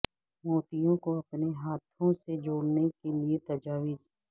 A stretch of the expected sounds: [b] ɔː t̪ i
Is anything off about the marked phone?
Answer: yes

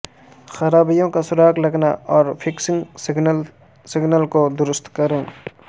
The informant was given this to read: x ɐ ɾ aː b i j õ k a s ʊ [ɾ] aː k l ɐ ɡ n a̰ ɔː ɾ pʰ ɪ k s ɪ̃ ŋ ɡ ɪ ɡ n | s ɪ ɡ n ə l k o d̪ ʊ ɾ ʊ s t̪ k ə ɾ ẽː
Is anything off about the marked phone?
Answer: no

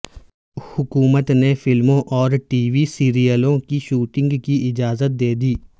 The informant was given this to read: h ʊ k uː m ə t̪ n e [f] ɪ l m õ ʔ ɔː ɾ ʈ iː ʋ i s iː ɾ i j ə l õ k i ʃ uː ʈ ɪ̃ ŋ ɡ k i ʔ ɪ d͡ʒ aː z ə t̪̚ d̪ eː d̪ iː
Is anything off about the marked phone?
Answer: no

